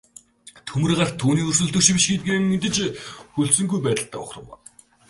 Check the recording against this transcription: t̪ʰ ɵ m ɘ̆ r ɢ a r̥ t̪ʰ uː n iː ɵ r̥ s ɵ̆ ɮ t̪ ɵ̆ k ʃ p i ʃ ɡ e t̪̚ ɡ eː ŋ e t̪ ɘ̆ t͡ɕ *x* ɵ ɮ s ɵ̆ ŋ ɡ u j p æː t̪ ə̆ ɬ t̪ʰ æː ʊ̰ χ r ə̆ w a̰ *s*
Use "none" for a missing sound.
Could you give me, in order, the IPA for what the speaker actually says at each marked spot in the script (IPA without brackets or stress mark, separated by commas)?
x, none